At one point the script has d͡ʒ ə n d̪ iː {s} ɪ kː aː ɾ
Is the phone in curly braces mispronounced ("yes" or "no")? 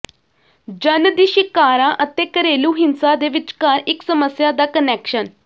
yes